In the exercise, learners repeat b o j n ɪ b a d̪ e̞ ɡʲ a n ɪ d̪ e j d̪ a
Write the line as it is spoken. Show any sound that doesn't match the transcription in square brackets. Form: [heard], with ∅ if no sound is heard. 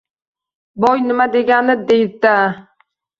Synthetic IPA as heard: b [ɒ] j n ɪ [m] a d̪ e̞ ɡʲ a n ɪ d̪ e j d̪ a

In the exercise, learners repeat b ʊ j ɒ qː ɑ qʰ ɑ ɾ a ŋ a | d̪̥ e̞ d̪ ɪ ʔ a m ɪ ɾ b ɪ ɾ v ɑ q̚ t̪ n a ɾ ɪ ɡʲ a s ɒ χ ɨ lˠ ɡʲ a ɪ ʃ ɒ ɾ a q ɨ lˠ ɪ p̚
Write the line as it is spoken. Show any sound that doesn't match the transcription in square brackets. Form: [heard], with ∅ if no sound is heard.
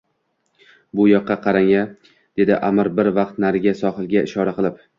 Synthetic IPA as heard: b ʊ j ɒ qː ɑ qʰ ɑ ɾ a ŋ a | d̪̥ e̞ d̪ ɪ ʔ a m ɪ ɾ b ɪ ɾ v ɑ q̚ t̪ n a ɾ ɪ ɡʲ a s ɒ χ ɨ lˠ ɡʲ a ɪ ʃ ɒ ɾ a q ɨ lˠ ɪ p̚

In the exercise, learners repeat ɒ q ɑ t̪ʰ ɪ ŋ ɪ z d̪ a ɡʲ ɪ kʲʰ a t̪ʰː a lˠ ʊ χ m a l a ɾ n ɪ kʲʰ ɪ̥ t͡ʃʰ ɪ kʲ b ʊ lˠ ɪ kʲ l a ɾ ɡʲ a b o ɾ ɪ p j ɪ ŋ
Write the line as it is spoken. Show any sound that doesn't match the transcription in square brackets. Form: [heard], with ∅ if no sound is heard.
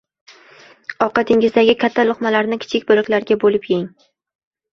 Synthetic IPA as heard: ɒ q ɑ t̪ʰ ɪ ŋ ɪ z d̪ a ɡʲ ɪ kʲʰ a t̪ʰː a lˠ ʊ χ m a l a ɾ n ɪ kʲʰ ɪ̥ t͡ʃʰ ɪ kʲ b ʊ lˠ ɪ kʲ l a ɾ ɡʲ a b o [l] ɪ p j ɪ ŋ

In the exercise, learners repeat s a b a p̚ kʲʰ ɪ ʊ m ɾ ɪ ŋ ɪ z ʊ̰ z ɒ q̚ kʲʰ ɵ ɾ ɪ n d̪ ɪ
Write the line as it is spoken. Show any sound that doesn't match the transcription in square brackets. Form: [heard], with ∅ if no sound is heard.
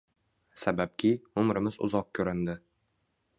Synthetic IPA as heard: s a b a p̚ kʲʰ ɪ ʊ m ɾ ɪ [m] ɪ z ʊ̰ z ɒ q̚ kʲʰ ɵ ɾ ɪ n d̪ ɪ

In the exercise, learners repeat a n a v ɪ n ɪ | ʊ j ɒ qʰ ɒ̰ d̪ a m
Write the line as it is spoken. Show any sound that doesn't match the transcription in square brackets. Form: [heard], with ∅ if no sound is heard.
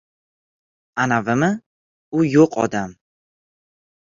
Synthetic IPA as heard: a n a v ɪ [m] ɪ | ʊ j [o] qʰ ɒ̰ d̪ a m

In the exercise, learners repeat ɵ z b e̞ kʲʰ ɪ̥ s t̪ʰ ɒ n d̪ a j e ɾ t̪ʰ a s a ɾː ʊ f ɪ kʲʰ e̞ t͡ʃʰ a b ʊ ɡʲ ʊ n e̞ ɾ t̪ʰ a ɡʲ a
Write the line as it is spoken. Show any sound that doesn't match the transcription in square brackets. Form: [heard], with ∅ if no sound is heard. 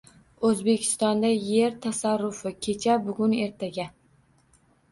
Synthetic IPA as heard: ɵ z b e̞ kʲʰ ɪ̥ s [t̪] ɒ n d̪ a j e ɾ t̪ʰ a s a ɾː ʊ f ɪ kʲʰ e̞ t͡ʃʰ a b ʊ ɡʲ ʊ n e̞ ɾ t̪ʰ a ɡʲ a

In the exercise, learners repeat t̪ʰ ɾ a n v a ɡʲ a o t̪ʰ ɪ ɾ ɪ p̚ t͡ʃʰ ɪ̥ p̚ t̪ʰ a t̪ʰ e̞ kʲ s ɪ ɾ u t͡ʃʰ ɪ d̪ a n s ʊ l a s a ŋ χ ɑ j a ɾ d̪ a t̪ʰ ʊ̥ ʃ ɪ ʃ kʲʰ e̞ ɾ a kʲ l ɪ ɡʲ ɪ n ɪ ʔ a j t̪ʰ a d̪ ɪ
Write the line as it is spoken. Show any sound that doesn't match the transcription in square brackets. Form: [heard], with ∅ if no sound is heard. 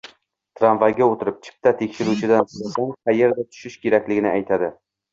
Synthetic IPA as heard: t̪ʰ ɾ a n v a ɡʲ a o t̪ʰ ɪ ɾ ɪ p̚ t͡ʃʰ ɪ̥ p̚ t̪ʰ a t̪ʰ e̞ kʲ [ʃ] ɪ ɾ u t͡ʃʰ ɪ d̪ a n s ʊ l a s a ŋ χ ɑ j [e] ɾ d̪ a t̪ʰ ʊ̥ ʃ ɪ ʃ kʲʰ e̞ ɾ a kʲ l ɪ ɡʲ ɪ n ɪ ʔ a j t̪ʰ a d̪ ɪ

